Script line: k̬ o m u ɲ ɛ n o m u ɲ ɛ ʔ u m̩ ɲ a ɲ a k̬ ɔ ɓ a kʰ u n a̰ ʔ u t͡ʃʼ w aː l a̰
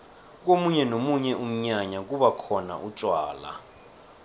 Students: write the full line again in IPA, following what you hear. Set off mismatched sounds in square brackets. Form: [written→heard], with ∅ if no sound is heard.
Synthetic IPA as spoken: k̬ o m u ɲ ɛ n o m u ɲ ɛ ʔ u m̩ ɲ a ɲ a k̬ [ɔ→u] ɓ a kʰ [u→ɔ] n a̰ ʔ u t͡ʃʼ w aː l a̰